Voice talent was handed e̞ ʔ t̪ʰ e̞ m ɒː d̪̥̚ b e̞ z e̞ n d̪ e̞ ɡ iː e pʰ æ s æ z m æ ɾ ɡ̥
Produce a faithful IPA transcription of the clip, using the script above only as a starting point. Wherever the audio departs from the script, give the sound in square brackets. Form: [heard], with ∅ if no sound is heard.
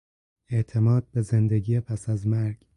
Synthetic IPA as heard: e̞ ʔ t̪ʰ e̞ m ɒː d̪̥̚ b e̞ z e̞ n d̪ e̞ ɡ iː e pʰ æ s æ z m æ ɾ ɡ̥